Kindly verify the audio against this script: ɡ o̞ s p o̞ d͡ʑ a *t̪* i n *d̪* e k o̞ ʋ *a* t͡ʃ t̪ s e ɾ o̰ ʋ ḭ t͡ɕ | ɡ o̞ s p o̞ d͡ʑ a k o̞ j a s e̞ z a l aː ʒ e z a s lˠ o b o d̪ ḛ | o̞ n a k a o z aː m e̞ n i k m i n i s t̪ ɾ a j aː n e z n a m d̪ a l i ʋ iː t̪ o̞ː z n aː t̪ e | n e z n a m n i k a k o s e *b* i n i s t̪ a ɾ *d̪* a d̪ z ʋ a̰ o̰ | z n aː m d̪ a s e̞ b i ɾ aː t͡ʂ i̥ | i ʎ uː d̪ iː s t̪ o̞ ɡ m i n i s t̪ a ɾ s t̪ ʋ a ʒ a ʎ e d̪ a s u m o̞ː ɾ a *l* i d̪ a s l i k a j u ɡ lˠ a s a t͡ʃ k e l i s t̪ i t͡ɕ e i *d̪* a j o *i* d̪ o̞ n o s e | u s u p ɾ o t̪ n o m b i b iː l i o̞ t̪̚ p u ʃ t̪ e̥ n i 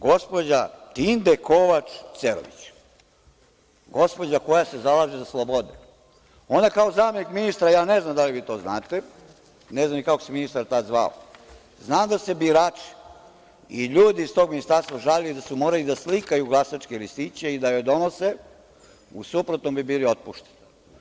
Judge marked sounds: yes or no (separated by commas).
yes, yes, yes, no, no, yes, yes, no